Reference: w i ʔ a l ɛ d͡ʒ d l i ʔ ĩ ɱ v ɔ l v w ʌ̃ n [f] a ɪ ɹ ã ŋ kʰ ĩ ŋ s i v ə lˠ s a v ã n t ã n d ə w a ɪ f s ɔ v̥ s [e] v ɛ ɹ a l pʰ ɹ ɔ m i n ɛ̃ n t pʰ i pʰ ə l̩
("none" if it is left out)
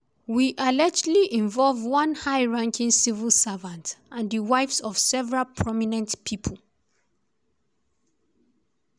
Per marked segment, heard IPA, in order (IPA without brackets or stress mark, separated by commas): h, ɛ